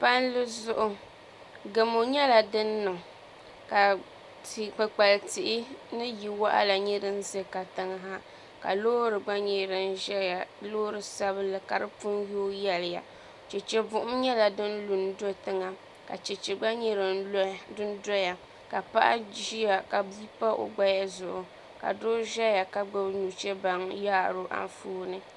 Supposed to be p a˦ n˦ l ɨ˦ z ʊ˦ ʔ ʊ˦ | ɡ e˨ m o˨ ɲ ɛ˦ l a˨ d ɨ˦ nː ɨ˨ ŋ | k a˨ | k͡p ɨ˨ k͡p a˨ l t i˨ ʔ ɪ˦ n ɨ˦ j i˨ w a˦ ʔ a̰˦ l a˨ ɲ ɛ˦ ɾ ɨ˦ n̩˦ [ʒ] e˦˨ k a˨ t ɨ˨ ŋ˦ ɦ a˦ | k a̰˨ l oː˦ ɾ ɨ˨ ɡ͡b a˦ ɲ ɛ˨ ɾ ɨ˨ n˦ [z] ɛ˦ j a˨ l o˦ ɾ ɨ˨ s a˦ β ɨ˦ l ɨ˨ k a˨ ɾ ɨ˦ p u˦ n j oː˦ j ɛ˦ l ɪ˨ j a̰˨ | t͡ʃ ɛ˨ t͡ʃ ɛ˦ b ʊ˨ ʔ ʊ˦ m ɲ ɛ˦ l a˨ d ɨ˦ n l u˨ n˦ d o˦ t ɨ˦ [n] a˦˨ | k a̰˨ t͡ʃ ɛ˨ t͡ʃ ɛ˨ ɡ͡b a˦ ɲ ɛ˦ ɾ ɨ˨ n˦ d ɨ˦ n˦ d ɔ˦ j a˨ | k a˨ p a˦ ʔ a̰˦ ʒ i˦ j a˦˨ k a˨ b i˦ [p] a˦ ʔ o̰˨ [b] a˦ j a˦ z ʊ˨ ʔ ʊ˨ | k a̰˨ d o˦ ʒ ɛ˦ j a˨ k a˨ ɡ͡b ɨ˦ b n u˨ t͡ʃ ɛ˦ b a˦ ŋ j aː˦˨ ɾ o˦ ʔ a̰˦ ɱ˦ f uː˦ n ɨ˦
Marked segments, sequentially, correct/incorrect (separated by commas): incorrect, incorrect, incorrect, correct, incorrect